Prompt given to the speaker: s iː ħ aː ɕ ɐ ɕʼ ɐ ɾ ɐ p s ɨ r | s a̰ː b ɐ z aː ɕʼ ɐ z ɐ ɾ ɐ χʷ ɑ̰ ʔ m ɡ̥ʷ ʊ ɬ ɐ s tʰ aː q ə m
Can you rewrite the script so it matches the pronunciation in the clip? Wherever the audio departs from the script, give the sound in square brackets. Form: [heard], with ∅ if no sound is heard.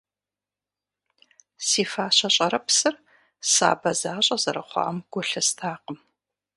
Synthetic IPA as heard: s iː [f] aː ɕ ɐ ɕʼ ɐ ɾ ɐ p s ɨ r | s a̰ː b ɐ z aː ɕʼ ɐ z ɐ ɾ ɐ χʷ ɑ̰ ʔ m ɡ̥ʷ ʊ ɬ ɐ s tʰ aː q ə m